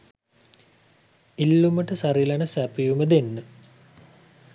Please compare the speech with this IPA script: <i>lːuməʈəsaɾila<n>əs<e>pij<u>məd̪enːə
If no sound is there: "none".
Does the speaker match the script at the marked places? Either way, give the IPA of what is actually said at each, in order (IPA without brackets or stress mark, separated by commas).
i, n, æ, u